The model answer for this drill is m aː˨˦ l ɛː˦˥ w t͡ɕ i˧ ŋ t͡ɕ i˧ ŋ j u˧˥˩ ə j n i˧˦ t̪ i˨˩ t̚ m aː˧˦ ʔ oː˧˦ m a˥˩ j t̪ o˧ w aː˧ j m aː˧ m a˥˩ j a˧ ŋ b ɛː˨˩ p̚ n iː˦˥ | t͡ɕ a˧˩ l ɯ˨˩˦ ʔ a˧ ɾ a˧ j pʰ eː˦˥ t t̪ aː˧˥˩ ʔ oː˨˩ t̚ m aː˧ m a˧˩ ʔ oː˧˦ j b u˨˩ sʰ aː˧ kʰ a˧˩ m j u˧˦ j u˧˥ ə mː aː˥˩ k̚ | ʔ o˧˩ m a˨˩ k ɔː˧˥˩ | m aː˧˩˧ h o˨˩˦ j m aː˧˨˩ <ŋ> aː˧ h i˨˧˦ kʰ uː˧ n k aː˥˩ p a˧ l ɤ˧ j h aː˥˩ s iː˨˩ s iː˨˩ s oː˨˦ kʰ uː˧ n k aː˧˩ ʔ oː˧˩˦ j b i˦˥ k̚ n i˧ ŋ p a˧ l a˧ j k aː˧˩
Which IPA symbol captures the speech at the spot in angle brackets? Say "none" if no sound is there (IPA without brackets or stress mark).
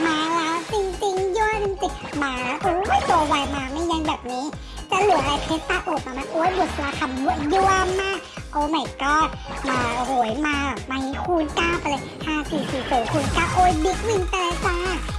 m